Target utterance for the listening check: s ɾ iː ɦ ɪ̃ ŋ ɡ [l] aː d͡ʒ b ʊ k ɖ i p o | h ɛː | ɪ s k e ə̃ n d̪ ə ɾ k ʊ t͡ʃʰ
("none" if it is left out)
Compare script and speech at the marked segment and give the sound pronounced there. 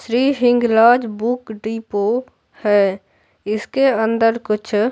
l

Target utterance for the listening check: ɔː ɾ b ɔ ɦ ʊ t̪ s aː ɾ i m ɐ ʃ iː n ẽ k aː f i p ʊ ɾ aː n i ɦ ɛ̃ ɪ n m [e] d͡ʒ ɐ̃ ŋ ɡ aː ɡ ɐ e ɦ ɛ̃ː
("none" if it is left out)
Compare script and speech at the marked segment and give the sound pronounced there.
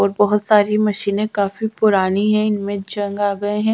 ẽ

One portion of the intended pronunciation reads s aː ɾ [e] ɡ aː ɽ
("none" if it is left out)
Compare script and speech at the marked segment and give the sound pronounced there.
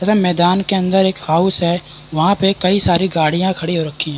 i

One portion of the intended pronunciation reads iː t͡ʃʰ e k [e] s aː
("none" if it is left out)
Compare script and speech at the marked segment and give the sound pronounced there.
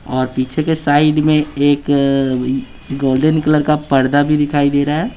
e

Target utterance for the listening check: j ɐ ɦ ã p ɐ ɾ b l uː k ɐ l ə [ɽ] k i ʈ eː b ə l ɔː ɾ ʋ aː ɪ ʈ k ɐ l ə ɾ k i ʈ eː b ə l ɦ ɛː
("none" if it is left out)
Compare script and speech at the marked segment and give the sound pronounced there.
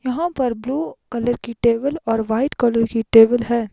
ɾ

